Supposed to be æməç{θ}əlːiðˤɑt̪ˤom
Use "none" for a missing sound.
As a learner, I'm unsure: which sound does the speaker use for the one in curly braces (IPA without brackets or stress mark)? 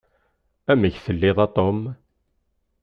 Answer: θ